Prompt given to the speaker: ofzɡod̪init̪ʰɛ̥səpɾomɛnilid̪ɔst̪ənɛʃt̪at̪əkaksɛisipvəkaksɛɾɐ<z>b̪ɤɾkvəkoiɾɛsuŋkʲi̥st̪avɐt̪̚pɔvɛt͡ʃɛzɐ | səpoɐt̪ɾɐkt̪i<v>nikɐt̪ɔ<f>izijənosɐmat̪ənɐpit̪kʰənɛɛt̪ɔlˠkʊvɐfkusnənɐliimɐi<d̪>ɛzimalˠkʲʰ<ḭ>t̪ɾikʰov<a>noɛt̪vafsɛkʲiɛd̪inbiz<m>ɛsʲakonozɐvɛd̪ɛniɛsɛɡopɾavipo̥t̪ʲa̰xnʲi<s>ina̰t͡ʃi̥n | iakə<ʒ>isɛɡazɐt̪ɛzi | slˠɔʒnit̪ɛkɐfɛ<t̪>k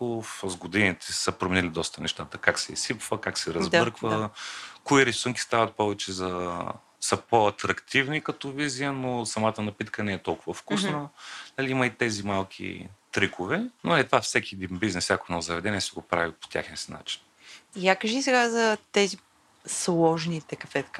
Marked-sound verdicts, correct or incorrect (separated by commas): correct, correct, incorrect, incorrect, correct, incorrect, incorrect, correct, correct, correct